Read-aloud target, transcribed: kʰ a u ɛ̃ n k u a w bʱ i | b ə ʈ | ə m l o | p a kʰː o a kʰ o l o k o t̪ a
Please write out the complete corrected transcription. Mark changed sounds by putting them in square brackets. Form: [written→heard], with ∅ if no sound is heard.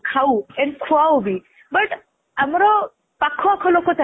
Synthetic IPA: kʰ a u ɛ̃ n [k→kʰ] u a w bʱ i | b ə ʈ | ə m [l→ɾ] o | p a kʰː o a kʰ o l o k o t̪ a